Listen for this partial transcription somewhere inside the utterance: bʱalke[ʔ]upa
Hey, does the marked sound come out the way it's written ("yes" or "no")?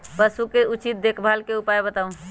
no